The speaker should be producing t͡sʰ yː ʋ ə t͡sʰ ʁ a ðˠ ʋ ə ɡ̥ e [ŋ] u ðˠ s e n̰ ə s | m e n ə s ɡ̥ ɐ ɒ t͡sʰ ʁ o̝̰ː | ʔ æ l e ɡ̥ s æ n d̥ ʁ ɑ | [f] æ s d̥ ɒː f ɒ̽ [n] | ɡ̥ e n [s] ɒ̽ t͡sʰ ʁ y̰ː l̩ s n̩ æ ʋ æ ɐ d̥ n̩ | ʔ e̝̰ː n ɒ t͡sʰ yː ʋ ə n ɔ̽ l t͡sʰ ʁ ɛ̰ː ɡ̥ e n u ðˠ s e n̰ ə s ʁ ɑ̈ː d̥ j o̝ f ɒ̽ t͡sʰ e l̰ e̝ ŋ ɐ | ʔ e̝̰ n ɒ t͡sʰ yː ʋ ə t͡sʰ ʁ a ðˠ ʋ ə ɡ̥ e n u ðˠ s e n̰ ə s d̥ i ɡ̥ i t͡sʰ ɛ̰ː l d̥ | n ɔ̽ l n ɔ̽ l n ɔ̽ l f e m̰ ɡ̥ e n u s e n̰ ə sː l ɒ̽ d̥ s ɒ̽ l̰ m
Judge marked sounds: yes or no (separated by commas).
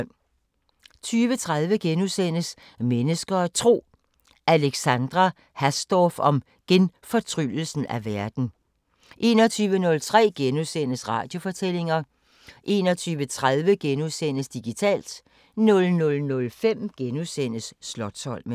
no, no, no, no